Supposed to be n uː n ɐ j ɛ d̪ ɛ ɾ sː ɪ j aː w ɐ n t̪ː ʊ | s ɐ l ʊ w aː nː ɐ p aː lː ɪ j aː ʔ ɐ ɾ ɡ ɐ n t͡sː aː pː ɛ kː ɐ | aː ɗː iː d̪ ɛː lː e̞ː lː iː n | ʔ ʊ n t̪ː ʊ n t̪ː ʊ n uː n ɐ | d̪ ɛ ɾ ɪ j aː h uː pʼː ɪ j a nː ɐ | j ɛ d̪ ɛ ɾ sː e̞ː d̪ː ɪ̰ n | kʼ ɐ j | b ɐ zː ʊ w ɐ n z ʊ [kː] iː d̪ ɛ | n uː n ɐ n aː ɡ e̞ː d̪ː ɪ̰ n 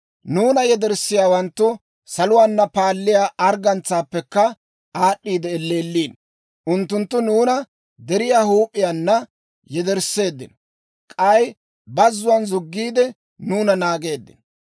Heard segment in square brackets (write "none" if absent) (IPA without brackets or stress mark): ɡː